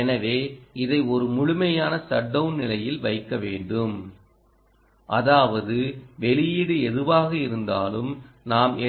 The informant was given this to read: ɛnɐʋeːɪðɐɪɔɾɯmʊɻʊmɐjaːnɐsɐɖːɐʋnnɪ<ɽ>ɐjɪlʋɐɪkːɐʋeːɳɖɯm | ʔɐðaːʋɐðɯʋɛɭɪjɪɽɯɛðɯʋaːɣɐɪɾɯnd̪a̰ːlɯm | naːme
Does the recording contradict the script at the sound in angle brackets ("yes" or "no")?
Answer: yes